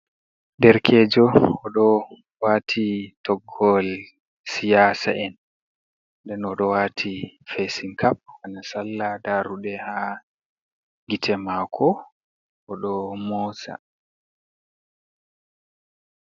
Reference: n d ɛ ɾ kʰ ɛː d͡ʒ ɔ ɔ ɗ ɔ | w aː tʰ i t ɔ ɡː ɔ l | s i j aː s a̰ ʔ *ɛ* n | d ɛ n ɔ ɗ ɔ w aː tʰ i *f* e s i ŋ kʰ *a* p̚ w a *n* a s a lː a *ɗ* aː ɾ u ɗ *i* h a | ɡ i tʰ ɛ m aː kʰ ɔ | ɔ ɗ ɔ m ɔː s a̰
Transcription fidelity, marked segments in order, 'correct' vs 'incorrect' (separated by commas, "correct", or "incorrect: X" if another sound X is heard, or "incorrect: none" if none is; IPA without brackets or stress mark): correct, correct, correct, correct, incorrect: d, incorrect: ɛ